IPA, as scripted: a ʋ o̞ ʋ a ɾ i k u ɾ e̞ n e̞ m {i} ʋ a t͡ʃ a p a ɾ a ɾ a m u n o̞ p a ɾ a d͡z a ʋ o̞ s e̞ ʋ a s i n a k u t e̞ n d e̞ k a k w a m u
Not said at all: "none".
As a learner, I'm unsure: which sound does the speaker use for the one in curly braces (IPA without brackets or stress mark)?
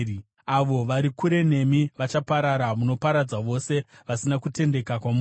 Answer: i